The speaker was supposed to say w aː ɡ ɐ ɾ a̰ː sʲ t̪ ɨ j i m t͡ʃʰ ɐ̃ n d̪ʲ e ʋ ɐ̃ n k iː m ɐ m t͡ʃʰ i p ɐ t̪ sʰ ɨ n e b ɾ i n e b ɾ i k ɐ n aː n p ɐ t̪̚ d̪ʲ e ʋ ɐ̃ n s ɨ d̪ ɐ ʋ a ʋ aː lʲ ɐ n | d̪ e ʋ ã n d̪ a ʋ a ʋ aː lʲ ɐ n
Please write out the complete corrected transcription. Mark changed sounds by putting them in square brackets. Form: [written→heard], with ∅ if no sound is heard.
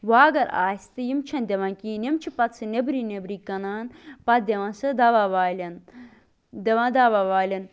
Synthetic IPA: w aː ɡ ɐ ɾ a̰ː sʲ t̪ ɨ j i m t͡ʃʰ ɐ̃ n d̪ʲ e ʋ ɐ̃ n k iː [m→n] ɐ m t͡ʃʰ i p ɐ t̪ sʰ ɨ n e b ɾ i n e b ɾ i k ɐ n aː n p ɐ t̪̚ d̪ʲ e ʋ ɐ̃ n s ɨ d̪ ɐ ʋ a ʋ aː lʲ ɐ n | d̪ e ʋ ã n d̪ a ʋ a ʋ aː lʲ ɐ n